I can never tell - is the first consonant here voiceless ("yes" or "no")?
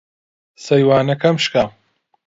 yes